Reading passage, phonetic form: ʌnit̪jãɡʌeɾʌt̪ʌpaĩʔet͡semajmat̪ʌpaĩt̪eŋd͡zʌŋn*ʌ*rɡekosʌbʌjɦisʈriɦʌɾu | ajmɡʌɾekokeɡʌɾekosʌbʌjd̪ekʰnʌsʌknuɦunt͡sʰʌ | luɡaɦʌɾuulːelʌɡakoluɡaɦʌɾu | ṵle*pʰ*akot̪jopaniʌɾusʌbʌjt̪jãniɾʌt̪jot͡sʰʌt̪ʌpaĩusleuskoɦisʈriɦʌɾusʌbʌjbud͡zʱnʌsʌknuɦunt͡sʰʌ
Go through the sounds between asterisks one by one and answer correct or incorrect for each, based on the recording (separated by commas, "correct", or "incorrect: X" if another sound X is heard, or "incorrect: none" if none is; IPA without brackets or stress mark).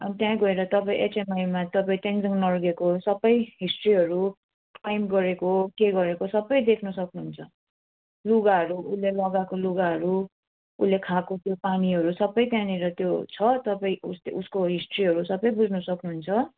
correct, incorrect: kʰ